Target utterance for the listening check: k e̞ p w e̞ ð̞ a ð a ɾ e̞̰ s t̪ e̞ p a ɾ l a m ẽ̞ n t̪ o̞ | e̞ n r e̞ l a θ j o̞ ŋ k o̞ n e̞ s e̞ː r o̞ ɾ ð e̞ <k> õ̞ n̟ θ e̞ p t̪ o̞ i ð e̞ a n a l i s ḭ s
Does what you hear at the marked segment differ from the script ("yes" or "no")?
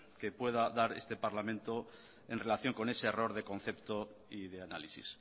no